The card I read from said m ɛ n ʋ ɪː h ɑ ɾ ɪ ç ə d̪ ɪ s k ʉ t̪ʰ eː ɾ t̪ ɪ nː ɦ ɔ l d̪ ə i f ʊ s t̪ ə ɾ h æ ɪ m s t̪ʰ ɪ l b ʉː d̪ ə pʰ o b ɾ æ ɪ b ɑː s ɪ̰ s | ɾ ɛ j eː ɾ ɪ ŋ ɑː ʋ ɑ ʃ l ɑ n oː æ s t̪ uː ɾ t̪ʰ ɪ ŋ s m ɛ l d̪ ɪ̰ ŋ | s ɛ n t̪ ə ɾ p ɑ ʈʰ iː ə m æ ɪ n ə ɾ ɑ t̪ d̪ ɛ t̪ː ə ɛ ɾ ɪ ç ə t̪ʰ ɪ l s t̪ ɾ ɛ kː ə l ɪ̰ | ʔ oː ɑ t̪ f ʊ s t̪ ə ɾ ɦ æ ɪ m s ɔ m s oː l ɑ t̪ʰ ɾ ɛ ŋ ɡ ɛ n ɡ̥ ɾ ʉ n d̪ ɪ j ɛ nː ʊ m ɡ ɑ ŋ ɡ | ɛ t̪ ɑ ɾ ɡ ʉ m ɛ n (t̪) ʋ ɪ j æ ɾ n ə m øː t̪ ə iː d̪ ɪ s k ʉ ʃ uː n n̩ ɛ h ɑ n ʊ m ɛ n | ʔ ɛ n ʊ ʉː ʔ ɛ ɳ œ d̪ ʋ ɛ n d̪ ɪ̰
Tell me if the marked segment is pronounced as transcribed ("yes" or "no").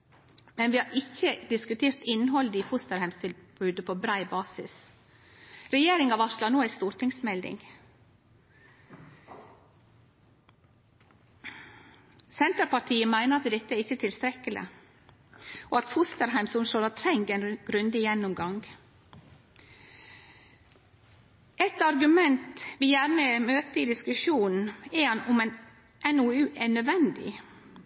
yes